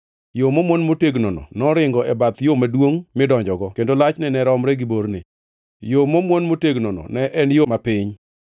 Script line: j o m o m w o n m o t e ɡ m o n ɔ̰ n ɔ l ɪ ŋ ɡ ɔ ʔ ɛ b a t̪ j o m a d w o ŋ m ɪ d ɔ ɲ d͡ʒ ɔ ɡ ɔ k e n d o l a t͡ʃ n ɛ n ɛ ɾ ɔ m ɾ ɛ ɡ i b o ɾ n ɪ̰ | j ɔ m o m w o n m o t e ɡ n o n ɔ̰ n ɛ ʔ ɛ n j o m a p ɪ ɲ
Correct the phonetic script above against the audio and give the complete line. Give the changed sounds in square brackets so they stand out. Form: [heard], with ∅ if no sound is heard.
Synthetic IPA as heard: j o m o m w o n m o t e ɡ [n] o n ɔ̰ n ɔ [ɾ] ɪ ŋ ɡ ɔ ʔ ɛ b a t̪ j o m a d w o ŋ m ɪ d ɔ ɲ d͡ʒ ɔ ɡ ɔ k e n d o l a t͡ʃ n ɛ n ɛ ɾ ɔ m ɾ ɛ ɡ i b o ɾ n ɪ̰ | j [o] m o m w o n m o t e ɡ n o n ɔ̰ n ɛ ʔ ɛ n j o m a p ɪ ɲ